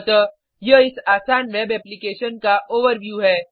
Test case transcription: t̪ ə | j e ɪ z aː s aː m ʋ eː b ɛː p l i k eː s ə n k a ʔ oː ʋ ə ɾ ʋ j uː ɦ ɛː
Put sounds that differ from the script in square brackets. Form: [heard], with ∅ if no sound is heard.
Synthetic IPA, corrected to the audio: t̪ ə | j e ɪ [s] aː s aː [n] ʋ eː b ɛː p l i k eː [ʃ] ə n k a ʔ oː ʋ ə ɾ ʋ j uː ɦ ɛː